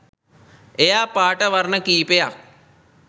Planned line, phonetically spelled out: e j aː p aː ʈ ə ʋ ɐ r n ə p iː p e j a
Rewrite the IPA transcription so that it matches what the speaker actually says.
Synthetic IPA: e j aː p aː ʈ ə ʋ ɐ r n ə k iː p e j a